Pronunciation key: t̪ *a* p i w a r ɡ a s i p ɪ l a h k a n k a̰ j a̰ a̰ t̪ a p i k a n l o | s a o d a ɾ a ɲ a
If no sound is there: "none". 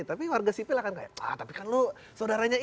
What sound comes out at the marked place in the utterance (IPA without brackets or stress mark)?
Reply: a